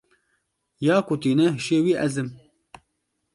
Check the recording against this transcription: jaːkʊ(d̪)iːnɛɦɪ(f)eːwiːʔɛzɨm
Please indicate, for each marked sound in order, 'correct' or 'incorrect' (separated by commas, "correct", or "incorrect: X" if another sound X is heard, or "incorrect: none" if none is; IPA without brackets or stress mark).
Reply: incorrect: t̪, incorrect: ʃ